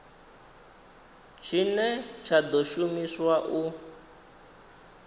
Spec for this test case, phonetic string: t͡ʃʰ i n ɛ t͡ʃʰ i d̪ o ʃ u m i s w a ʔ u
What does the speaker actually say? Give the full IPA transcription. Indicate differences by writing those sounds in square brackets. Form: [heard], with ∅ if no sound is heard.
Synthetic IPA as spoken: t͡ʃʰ i n ɛ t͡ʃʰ [a] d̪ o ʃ u m i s w a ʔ u